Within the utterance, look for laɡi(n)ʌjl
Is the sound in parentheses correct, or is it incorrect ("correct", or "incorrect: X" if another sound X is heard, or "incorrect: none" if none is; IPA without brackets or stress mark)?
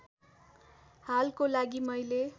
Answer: incorrect: m